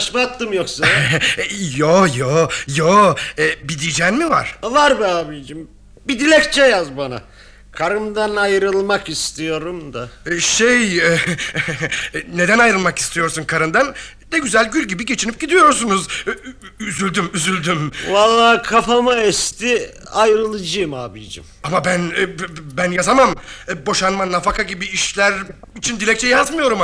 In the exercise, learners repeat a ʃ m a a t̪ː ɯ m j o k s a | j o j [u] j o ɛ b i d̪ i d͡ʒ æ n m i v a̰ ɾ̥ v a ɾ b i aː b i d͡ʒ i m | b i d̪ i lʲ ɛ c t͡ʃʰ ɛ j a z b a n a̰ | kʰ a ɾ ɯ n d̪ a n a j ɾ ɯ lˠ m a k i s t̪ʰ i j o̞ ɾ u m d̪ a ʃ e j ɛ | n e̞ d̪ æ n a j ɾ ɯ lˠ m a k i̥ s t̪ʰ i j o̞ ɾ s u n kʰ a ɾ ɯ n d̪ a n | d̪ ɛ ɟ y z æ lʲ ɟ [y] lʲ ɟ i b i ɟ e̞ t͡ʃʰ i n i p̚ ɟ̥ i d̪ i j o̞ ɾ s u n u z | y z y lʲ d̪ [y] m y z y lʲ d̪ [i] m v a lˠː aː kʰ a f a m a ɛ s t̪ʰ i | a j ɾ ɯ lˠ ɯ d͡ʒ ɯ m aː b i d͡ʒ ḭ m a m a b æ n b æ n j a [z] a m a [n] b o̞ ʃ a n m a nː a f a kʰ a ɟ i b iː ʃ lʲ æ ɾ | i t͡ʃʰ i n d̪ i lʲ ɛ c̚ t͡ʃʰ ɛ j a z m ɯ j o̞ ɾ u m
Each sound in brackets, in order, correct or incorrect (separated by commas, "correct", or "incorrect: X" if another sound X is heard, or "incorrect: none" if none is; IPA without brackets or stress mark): incorrect: o, correct, correct, incorrect: y, correct, incorrect: m